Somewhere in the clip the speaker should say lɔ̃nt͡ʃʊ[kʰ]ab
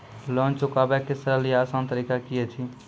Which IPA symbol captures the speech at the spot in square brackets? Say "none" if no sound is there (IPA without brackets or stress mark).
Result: k